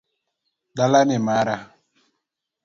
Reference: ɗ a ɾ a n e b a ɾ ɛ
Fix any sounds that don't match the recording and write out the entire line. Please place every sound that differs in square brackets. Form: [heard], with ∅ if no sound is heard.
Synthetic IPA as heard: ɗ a [l] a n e [m] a ɾ [a]